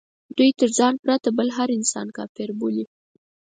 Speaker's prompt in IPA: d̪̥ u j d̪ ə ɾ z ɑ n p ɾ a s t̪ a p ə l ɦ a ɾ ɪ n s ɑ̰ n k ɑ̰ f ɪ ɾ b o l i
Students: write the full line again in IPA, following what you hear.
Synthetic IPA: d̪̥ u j t̪ ə ɾ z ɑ n p ɾ a t̪ a b ə l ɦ a ɾ ɪ n s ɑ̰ n k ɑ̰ f ɪ ɾ b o l i